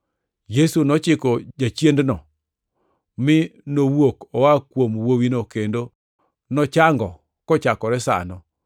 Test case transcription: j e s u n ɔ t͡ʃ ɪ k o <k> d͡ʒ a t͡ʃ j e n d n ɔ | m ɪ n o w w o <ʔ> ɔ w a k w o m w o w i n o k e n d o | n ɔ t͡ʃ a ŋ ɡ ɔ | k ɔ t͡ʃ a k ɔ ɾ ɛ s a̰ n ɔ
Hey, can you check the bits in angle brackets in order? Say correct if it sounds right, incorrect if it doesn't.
incorrect, incorrect

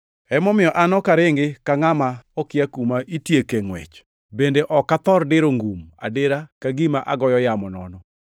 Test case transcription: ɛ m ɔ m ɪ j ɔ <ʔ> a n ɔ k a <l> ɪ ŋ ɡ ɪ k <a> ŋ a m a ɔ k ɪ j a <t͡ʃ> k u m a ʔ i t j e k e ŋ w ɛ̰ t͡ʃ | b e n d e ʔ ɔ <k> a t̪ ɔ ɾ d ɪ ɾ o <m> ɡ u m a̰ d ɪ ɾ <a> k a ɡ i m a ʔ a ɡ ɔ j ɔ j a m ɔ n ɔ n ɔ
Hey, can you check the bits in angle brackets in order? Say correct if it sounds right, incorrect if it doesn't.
correct, incorrect, correct, incorrect, correct, incorrect, correct

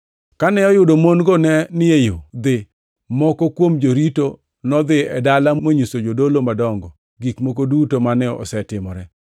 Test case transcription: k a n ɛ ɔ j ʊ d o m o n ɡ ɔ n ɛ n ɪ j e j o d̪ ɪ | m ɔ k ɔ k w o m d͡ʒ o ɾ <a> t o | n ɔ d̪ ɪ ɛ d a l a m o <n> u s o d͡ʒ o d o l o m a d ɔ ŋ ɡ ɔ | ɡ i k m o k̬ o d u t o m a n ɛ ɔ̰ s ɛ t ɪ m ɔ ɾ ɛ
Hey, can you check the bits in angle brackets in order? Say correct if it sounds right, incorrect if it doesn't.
incorrect, incorrect

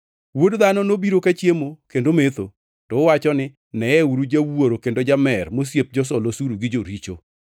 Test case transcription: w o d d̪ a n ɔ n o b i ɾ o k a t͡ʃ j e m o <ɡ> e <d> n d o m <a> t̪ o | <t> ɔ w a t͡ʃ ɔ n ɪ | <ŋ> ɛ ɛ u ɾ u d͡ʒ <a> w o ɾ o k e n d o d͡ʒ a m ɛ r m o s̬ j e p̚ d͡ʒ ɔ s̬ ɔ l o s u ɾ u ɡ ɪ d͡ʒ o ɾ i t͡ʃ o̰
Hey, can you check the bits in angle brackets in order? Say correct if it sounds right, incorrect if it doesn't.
incorrect, incorrect, incorrect, correct, incorrect, correct

